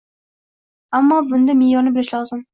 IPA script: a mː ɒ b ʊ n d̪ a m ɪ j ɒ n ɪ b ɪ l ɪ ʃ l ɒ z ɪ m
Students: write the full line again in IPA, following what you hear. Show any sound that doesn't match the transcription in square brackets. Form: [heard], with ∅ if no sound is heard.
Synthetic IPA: a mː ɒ b ʊ n d̪ a m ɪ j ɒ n ɪ b ɪ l ɪ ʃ l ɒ z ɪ m